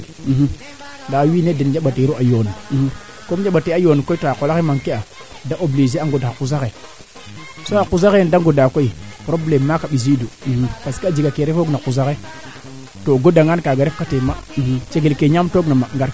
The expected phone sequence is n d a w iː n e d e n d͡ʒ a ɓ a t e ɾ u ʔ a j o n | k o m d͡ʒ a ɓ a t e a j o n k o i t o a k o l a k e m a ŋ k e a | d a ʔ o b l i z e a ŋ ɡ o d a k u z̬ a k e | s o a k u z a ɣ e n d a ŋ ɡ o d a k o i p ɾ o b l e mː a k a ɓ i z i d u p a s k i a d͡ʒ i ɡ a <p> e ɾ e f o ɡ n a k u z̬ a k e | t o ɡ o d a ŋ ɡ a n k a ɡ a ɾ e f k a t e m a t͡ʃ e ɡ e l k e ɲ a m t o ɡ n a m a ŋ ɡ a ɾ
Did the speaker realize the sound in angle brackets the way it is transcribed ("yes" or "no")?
no